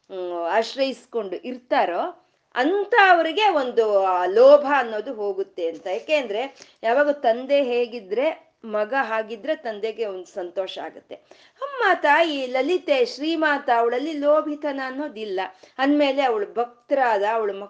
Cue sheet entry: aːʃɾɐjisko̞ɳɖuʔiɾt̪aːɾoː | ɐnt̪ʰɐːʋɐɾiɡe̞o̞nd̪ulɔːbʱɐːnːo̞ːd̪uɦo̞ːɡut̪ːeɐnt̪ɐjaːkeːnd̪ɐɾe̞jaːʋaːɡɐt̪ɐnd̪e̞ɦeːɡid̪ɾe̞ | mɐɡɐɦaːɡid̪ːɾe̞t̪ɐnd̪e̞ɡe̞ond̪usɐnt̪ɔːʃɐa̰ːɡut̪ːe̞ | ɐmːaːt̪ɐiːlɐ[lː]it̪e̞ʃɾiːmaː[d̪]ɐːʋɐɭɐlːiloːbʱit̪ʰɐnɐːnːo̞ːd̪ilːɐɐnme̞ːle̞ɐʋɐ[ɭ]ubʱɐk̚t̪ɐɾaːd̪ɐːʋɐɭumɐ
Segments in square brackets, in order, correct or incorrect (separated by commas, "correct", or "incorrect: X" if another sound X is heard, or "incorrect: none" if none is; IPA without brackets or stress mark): incorrect: l, incorrect: t̪, correct